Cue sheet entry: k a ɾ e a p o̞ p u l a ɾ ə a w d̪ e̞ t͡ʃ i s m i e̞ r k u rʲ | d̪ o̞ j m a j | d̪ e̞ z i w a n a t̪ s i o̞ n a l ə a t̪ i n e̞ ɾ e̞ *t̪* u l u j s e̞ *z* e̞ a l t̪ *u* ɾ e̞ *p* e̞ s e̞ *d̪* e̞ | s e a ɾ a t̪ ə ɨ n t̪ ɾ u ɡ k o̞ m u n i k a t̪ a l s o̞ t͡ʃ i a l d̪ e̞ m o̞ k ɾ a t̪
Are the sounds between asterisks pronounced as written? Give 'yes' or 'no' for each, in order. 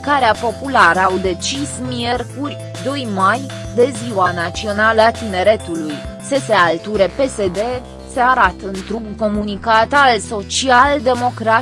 yes, no, yes, yes, yes

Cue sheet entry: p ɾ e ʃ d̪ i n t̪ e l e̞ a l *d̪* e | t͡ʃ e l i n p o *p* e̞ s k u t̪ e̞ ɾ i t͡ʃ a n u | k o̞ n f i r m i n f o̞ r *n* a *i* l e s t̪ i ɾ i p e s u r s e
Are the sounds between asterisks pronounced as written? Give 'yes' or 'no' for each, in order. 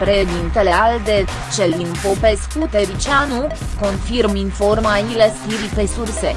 yes, yes, no, yes

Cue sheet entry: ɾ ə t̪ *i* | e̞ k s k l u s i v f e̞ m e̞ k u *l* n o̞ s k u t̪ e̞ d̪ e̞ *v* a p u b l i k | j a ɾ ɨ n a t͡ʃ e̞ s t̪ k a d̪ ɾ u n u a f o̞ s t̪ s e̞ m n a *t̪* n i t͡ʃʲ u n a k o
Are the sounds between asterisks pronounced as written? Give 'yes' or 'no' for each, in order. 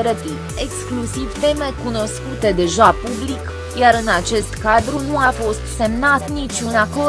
yes, no, no, yes

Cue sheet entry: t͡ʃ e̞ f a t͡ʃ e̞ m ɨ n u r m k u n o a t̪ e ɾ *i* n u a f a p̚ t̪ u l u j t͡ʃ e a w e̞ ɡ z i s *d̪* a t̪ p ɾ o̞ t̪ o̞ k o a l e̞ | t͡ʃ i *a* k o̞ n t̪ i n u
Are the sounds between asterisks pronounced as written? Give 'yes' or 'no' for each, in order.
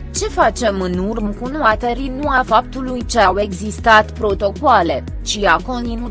yes, no, yes

